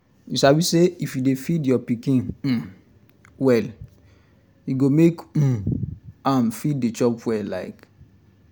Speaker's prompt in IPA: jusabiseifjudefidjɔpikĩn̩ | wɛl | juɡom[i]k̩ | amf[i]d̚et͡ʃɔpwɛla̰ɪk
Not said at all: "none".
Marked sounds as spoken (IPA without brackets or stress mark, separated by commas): e, i